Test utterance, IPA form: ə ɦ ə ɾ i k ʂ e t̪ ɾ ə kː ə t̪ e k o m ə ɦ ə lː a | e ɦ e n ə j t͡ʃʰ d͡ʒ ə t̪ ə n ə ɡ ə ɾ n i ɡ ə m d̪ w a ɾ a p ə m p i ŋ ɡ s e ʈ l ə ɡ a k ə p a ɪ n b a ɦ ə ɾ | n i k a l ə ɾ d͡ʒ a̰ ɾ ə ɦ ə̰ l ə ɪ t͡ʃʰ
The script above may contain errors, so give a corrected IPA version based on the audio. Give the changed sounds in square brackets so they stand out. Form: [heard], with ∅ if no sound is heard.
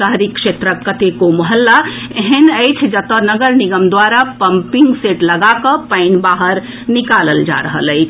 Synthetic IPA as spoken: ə ɦ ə ɾ i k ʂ e t̪ ɾ ə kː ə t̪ e k o m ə ɦ ə lː a | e ɦ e n ə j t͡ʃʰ d͡ʒ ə t̪ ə n ə ɡ ə ɾ n i ɡ ə m d̪ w a ɾ a p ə m p i ŋ ɡ s e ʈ l ə ɡ a k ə p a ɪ n b a ɦ ə ɾ | n i k a l ə [l] d͡ʒ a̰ ɾ ə ɦ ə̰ l ə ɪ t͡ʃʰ